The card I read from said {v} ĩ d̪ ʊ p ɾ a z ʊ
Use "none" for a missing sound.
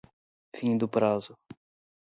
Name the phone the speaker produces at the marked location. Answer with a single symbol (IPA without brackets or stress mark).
f